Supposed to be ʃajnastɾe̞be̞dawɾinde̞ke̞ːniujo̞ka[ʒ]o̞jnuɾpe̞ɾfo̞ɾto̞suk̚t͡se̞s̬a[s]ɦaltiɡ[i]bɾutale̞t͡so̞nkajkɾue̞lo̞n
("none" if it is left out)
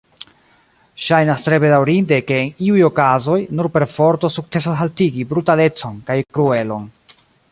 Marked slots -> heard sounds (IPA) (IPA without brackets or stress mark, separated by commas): z, s, i